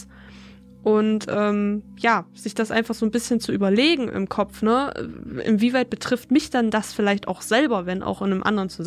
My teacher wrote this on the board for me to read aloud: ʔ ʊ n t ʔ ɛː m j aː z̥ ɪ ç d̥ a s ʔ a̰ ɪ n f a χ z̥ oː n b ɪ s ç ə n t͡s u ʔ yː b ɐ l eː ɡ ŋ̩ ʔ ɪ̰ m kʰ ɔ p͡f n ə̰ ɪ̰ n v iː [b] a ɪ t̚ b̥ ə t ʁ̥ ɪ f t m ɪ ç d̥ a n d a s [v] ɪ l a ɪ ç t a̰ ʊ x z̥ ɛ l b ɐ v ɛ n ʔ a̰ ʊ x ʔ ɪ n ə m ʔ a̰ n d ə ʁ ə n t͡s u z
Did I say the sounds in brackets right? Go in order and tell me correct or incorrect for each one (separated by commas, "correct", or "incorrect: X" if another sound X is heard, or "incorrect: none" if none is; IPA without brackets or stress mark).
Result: incorrect: v, incorrect: f